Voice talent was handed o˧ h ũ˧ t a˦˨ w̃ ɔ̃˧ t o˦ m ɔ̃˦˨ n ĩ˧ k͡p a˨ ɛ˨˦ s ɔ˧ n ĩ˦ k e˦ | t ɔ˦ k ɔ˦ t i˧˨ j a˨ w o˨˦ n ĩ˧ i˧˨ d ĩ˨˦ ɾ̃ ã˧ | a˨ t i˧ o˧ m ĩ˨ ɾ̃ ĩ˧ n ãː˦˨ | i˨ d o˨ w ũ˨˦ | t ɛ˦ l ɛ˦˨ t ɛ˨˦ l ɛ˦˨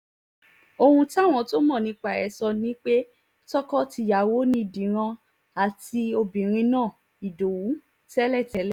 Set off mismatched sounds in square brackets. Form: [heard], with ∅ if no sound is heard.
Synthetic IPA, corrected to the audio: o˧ h ũ˧ t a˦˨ w̃ ɔ̃˧ t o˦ m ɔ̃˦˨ n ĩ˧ k͡p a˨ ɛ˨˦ s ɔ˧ n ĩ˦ [k͡p] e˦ | t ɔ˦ k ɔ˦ t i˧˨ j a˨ w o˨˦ n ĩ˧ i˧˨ d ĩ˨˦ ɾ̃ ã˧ | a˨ t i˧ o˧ [b] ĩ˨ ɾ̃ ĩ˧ n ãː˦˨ | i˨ d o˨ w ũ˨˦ | t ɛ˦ l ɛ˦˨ t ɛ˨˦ l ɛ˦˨